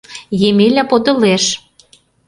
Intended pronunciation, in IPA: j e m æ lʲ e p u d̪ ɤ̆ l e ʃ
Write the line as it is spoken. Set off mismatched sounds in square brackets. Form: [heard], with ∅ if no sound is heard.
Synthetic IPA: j e m [e] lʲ [æ] p [o] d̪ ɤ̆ l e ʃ